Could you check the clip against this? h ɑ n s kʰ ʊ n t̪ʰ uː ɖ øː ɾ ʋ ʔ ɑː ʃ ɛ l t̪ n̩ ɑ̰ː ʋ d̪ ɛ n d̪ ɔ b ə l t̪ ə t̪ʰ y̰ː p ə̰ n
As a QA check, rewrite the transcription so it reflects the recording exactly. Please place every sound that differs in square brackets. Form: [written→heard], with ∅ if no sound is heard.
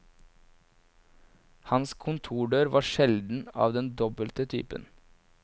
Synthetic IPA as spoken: h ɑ n s kʰ ʊ n t̪ʰ uː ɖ øː ɾ ʋ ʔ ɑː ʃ ɛ l [t̪→d̪] n̩ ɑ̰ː ʋ d̪ ɛ n d̪ ɔ b ə l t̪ ə t̪ʰ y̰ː p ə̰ n